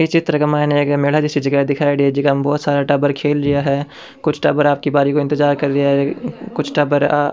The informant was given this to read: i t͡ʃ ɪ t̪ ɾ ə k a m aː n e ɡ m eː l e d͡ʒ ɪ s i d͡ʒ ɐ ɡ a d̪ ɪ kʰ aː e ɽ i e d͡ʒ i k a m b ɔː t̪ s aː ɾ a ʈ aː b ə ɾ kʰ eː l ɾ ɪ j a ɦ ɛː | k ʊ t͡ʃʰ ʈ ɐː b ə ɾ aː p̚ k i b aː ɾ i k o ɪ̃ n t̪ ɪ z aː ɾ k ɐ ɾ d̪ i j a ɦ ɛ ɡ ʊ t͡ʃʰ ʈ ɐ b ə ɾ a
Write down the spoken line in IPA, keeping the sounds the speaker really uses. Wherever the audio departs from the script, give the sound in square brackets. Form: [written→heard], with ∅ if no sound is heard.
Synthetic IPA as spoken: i t͡ʃ ɪ t̪ ɾ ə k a m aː n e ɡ m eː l [e→a] d͡ʒ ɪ s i d͡ʒ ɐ ɡ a d̪ ɪ kʰ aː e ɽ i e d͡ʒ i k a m b ɔː t̪ s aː ɾ a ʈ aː b ə ɾ kʰ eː l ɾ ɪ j a ɦ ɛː | k ʊ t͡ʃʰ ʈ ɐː b ə ɾ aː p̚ k i b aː ɾ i k o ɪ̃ n t̪ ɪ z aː ɾ k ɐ ɾ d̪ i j a ɦ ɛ [ɡ→k] ʊ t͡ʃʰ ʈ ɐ b ə ɾ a